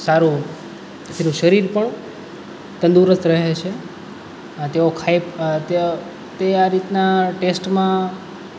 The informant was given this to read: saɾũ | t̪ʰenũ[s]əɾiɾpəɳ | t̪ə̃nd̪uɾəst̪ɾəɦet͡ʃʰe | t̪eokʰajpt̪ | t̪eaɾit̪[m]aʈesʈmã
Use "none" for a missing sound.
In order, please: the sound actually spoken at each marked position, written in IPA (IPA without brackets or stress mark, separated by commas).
ʃ, n